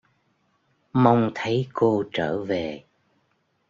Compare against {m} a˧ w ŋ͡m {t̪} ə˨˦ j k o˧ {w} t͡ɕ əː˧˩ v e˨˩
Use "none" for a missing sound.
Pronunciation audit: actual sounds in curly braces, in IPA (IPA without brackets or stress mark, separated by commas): m, t̪ʰ, none